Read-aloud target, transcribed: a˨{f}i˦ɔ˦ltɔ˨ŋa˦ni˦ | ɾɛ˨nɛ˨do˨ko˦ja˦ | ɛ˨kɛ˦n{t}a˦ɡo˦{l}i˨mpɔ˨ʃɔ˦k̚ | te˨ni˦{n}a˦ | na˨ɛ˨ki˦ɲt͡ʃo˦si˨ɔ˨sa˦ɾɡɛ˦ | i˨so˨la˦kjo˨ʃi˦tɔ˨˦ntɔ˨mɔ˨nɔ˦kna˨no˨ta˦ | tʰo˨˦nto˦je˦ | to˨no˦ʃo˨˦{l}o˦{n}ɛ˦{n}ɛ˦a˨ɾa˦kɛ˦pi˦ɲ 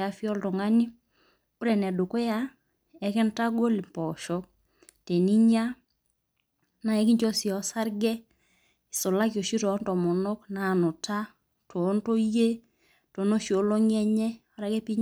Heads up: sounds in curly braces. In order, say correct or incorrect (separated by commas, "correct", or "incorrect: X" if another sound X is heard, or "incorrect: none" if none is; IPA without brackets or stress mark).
correct, correct, correct, incorrect: ɲ, correct, incorrect: ŋ, incorrect: ɲ